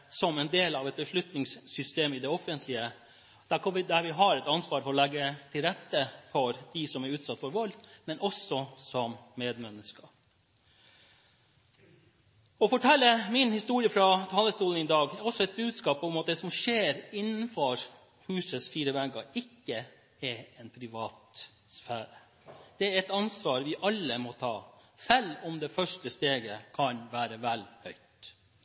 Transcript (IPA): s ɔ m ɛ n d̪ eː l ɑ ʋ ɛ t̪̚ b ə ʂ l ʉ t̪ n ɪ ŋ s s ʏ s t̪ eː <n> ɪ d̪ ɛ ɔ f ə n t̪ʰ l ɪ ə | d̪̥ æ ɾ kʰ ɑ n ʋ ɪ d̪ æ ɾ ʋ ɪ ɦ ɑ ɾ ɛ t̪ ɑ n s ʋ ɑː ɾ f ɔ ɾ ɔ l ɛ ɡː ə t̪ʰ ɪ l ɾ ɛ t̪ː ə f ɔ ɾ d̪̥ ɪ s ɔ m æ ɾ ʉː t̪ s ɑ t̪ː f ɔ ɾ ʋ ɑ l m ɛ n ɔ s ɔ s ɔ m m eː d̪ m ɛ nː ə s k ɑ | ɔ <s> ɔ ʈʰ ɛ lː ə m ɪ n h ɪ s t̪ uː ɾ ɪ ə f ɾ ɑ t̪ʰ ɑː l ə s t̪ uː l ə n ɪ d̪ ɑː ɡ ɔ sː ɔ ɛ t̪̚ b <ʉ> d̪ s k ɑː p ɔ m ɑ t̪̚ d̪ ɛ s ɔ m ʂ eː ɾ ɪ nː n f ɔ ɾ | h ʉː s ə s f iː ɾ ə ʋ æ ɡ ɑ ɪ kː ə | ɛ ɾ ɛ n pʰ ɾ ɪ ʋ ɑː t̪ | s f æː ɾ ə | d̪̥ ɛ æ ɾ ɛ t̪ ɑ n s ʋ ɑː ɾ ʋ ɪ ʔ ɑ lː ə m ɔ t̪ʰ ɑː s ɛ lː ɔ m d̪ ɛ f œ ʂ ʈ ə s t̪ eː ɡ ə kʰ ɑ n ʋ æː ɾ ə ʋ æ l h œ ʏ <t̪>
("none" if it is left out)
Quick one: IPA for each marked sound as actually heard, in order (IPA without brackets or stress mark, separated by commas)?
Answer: m, f, ʉː, t̪